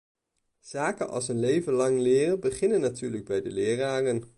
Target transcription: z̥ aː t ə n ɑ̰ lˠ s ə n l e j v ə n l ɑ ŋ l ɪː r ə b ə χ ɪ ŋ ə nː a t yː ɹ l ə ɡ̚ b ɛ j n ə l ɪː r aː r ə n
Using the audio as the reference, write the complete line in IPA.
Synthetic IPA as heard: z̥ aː k ə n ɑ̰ lˠ s ə n l e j v ə n l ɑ ŋ l ɪː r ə b ə χ ɪ n ə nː a t yː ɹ l ə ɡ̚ b ɛ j d ə l ɪː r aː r ə n